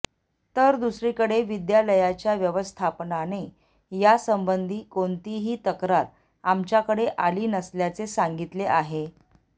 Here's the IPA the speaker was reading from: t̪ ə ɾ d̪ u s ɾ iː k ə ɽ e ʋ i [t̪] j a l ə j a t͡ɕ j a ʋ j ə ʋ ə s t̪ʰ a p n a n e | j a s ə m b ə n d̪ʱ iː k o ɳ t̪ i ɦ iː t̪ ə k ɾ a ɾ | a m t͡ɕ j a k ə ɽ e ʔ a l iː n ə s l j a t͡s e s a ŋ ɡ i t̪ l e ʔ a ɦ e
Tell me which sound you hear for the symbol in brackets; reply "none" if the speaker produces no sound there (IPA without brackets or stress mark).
d̪